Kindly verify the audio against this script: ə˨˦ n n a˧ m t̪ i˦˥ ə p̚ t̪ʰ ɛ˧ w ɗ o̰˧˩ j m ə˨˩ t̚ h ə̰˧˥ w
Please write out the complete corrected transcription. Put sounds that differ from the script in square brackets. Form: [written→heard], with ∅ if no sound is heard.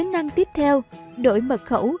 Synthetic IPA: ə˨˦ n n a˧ [m→ŋ] t̪ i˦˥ ə p̚ t̪ʰ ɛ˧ w ɗ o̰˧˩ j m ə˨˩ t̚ [h→x] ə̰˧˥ w